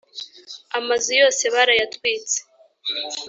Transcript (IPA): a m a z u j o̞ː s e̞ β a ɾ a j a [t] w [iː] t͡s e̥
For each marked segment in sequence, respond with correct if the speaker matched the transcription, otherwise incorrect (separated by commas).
correct, correct